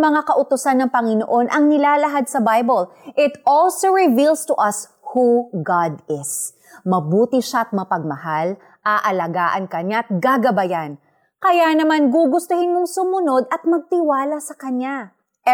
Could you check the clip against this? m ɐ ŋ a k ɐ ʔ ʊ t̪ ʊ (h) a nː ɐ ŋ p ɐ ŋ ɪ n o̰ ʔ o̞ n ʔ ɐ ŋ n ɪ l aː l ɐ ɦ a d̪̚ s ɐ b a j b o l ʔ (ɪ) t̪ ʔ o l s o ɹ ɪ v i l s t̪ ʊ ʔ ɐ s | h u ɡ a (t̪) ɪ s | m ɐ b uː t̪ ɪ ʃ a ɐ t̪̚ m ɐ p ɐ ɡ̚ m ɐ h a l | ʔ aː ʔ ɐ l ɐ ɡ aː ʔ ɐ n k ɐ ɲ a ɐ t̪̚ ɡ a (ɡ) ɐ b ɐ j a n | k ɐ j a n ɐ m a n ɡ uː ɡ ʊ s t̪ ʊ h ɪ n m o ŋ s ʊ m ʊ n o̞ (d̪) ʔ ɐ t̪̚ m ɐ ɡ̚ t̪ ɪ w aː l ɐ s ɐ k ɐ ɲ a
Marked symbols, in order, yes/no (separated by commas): no, yes, no, yes, yes